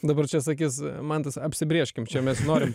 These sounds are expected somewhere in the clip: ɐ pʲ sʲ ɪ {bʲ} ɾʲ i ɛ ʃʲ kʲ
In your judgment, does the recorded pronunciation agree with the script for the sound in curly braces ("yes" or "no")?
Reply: yes